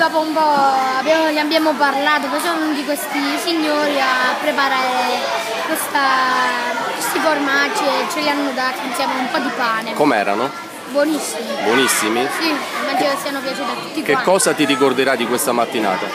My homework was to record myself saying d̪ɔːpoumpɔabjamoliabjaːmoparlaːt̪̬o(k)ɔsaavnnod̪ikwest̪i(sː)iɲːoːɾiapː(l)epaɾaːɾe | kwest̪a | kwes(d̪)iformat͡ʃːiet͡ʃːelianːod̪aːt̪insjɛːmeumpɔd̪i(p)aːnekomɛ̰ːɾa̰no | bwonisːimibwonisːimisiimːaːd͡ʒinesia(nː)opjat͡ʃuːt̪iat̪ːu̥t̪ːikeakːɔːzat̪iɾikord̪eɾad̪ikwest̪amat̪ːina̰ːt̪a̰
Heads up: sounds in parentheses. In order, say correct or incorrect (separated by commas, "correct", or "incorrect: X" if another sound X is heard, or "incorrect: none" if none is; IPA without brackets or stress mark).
incorrect: p, incorrect: s, incorrect: ɾ, incorrect: t̪, correct, incorrect: n